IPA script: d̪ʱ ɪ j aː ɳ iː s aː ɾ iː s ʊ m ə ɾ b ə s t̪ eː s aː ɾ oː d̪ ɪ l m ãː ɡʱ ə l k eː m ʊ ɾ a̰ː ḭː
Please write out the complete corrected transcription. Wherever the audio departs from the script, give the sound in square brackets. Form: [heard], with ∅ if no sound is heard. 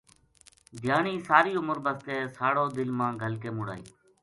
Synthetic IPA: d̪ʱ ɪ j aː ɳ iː s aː ɾ iː [∅] ʊ m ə ɾ b ə s t̪ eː s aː [ɽ] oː d̪ ɪ l m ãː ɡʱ ə l k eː m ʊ [ɽ] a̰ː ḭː